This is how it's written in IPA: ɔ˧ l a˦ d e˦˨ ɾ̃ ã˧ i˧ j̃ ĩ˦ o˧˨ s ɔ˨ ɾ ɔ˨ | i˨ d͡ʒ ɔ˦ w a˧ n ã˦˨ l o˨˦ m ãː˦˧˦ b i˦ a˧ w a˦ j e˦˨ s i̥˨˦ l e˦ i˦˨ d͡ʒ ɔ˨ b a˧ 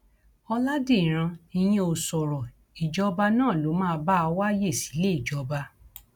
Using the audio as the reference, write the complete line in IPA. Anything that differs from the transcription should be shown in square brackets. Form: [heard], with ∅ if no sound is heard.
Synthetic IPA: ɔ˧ l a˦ d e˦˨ ɾ̃ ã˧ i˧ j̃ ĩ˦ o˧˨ s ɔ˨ ɾ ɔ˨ | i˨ d͡ʒ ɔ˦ [b] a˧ n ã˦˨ l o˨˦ m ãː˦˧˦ b [a˦] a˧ w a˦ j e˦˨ s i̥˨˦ l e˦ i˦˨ d͡ʒ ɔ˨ b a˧